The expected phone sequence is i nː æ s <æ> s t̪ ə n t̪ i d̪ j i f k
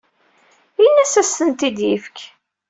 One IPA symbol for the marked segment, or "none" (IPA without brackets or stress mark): æ